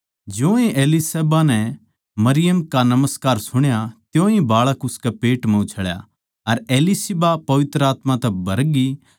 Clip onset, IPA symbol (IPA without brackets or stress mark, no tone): d͡ʒ